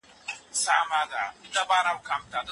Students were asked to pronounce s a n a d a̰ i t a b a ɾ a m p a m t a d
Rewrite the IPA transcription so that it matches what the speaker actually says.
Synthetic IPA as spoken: s a m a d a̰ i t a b a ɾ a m k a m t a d